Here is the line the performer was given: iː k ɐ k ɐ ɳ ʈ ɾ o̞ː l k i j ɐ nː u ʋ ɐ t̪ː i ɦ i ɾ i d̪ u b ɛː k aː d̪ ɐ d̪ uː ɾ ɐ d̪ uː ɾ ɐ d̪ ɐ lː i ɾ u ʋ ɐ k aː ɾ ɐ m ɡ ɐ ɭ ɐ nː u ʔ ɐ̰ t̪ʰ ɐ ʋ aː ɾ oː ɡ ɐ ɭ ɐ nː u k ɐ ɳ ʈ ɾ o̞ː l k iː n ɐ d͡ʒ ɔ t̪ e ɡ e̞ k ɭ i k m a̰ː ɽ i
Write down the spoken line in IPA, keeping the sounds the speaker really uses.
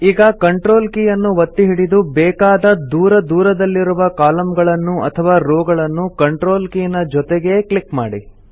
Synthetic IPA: iː ɡ ɐ k ɐ ɳ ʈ ɾ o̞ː l k i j ɐ nː u ʋ ɐ t̪ː i ɦ i ɽ i d̪ u b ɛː k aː d̪ ɐ d̪ uː ɾ ɐ d̪ uː ɾ ɐ d̪ ɐ lː i ɾ u ʋ ɐ k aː l ɐ m ɡ ɐ ɭ ɐ nː u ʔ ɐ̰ t̪ʰ ɐ ʋ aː ɾ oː ɡ ɐ ɭ ɐ nː u k ɐ ɳ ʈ ɾ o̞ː l k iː n ɐ d͡ʒ ɔ t̪ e ɡ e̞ k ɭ i k m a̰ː ɽ i